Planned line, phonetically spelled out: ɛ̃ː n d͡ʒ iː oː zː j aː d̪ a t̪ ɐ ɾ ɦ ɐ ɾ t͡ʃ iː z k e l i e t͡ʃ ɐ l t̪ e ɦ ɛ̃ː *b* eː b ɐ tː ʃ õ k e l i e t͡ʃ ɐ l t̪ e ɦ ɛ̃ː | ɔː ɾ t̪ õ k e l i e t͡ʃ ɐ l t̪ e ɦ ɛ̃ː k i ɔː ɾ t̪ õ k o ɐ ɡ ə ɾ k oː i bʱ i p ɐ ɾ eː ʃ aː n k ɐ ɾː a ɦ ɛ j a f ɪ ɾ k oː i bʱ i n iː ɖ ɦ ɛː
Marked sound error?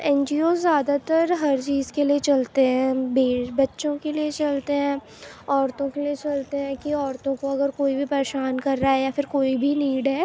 no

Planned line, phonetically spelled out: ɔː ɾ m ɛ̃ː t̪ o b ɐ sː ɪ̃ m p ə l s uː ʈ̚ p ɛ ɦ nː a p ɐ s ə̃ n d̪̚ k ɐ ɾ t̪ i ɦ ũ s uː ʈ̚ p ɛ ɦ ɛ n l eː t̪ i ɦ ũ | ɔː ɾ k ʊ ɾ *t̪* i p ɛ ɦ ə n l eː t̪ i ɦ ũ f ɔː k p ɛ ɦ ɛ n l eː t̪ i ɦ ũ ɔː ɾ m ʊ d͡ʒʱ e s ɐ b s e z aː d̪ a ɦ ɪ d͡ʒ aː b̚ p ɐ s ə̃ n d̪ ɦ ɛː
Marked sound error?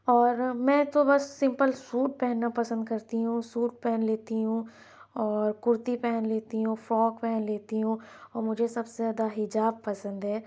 no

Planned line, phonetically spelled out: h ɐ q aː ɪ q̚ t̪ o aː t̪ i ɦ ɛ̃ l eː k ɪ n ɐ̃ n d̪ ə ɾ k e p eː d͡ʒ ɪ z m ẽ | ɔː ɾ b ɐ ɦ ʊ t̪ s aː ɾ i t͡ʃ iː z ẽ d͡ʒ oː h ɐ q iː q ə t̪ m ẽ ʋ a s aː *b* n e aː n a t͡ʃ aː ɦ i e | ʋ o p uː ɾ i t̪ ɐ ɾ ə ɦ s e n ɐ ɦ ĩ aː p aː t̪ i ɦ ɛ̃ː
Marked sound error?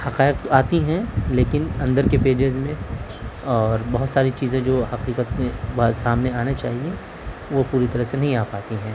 yes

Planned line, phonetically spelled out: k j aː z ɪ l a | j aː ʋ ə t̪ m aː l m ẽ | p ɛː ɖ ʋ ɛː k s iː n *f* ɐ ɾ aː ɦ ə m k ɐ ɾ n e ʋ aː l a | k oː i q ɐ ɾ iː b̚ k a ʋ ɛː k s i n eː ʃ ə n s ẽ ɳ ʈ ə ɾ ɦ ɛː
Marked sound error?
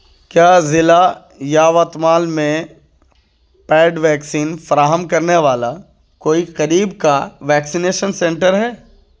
no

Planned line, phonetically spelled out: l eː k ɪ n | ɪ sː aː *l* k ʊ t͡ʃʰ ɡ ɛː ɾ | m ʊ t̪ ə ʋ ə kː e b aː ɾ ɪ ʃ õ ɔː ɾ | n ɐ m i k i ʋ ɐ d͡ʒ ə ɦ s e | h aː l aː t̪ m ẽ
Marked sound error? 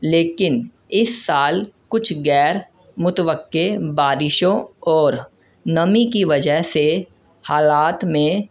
no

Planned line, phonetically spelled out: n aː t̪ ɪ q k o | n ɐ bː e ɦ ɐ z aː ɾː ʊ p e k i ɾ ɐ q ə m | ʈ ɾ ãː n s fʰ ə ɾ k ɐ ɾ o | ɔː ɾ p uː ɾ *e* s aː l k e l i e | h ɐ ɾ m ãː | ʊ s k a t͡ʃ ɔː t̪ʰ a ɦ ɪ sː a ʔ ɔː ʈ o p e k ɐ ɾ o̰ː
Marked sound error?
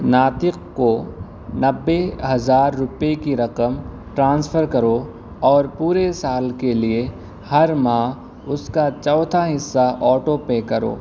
no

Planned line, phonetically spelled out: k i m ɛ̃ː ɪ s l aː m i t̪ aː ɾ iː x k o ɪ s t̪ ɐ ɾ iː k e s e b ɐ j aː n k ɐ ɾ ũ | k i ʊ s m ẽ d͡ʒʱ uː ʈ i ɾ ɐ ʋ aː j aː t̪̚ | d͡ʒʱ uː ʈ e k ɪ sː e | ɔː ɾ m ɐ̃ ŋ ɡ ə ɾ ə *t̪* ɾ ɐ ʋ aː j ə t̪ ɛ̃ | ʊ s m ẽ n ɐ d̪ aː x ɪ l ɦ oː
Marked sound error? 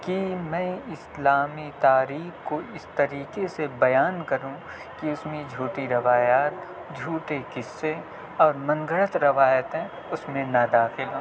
no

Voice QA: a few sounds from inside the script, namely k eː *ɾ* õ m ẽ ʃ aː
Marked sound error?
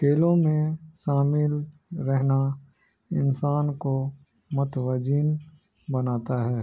yes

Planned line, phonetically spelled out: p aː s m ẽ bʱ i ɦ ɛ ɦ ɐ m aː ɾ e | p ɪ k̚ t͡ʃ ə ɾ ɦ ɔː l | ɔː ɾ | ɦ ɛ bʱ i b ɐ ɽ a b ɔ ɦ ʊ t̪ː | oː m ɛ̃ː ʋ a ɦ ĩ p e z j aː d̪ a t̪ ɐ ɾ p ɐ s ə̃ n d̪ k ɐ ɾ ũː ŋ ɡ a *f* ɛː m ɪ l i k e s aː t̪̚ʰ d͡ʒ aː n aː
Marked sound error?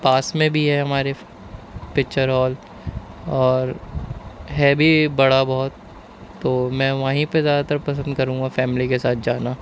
no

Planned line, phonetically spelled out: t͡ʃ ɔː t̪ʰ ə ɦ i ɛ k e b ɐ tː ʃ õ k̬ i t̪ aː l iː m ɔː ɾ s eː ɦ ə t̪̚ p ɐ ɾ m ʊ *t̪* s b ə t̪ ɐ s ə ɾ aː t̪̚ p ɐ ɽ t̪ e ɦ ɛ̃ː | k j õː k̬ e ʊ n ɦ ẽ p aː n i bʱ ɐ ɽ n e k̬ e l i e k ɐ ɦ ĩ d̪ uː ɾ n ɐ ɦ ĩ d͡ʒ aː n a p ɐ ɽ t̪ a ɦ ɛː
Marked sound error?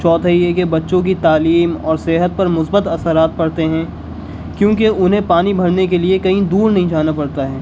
yes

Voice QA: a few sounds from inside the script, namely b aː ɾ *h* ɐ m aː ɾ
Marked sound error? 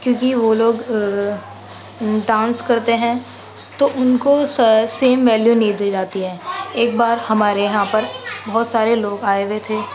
no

